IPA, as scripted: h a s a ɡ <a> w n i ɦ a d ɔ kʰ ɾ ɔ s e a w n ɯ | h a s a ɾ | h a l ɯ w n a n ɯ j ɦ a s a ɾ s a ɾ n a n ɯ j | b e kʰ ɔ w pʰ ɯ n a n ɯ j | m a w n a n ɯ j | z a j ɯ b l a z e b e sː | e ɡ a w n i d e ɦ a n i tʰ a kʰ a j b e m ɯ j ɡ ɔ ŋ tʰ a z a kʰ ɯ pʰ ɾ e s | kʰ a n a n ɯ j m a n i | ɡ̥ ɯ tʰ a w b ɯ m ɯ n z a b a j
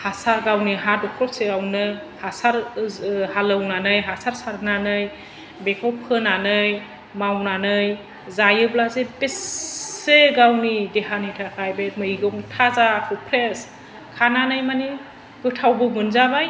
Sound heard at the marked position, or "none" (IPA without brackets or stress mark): a